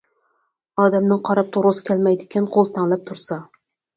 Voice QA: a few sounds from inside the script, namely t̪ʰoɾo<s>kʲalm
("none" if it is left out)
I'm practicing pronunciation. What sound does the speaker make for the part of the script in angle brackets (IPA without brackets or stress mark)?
s